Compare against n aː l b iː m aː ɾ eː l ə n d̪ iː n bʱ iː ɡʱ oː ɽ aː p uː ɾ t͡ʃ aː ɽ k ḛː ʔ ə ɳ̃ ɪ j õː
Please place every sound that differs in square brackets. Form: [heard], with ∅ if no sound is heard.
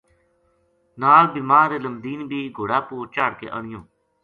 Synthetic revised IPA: n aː l b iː m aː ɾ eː l ə [m] d̪ iː n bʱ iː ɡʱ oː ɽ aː p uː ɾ t͡ʃ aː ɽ k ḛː ʔ ə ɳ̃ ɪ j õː